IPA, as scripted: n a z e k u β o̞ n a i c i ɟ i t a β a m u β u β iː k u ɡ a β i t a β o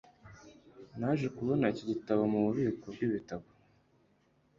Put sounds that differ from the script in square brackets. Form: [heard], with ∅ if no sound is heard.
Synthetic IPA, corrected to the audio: n a [ʒ] e k u β o̞ n a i c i ɟ i t a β a m u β u β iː k [o] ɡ [i] β i t a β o